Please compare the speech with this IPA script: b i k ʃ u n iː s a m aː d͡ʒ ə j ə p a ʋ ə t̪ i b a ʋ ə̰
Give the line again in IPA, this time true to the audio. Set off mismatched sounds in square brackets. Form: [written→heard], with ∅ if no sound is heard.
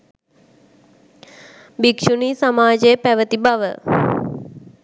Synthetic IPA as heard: b i k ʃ u n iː s a m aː d͡ʒ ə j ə p [a→æ] ʋ ə t̪ i b a ʋ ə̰